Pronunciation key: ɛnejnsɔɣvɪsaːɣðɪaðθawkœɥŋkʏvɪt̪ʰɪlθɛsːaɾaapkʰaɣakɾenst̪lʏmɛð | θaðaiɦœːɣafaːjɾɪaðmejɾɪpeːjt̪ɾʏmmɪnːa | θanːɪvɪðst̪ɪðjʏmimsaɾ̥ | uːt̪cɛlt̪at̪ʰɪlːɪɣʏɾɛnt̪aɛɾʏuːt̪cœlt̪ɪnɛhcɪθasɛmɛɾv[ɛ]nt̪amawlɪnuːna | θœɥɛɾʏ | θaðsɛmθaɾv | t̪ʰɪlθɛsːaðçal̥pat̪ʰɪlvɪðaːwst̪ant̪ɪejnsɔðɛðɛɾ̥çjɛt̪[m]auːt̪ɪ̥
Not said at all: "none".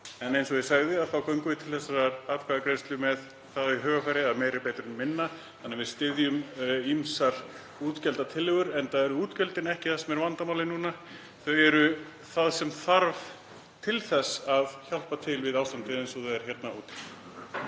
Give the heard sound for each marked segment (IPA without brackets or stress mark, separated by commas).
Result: a, n